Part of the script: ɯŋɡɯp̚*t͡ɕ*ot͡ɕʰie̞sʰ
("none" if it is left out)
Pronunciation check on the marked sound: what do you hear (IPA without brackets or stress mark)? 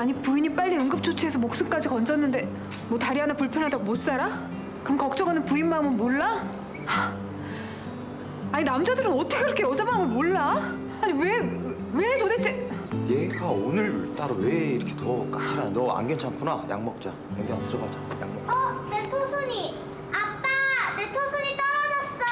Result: t͡ɕʰ